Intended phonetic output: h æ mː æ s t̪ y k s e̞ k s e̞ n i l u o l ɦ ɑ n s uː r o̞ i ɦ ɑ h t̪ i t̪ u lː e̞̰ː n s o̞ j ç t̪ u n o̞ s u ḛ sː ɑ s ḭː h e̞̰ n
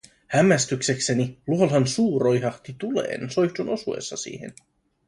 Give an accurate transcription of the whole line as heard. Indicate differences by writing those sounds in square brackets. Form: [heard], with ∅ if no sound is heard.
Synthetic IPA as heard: h æ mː æ s t̪ y k s e̞ k s e̞ n i l u o l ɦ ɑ n s uː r o̞ [j] ɦ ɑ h t̪ i t̪ u [l] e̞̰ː n s o̞ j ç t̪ u n o̞ s u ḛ sː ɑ s ḭː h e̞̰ n